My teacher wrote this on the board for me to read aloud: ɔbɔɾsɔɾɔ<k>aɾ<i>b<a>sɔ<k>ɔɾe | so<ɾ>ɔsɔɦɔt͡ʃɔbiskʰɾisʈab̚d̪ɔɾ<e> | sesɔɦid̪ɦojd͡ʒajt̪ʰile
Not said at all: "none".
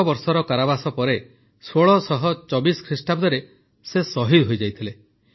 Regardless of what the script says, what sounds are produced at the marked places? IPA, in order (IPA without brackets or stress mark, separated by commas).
k, a, a, p, ɭ, e